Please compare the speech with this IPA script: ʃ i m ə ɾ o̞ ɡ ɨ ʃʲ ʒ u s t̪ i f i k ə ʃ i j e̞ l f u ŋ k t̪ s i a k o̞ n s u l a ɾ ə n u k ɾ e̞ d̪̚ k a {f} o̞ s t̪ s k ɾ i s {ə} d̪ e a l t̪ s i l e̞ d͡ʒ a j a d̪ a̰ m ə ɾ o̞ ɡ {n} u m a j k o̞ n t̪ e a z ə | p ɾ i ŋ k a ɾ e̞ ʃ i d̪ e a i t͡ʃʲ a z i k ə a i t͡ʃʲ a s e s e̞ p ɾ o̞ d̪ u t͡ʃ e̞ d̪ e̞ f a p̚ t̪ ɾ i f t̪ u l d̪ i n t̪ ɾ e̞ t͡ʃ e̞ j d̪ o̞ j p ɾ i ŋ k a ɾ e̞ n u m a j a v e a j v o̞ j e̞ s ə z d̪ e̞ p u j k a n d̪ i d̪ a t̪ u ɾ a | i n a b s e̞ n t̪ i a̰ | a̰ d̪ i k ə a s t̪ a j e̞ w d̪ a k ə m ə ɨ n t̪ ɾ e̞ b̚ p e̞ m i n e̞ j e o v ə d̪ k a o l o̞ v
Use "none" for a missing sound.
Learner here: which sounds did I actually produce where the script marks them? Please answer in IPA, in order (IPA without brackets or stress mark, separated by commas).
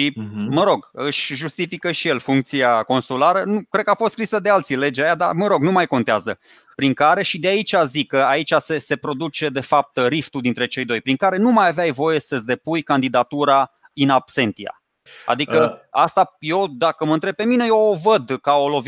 f, ə, n